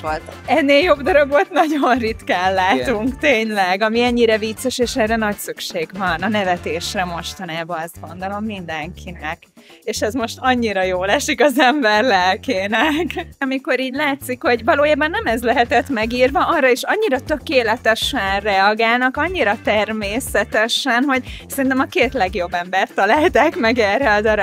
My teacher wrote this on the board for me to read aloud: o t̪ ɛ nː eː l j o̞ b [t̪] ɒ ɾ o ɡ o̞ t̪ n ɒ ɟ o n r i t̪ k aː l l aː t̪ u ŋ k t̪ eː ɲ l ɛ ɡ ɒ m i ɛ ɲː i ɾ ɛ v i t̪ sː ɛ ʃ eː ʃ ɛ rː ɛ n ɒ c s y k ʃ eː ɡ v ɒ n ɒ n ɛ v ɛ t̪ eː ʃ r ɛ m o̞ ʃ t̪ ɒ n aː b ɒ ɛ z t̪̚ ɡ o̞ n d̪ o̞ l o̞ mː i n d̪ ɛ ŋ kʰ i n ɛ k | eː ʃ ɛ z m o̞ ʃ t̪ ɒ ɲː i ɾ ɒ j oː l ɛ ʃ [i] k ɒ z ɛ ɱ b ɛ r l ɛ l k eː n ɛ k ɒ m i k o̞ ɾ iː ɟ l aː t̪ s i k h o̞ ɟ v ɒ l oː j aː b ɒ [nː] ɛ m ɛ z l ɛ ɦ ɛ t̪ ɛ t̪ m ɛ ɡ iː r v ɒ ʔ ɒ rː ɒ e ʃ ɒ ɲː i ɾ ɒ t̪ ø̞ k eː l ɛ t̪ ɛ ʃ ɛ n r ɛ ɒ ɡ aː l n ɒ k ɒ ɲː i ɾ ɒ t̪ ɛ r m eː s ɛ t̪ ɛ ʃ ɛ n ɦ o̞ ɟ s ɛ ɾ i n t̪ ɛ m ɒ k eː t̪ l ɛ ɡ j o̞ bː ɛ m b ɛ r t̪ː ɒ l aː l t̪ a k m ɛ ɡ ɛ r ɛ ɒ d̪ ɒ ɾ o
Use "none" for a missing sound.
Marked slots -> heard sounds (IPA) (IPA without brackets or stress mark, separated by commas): d̪, i, nː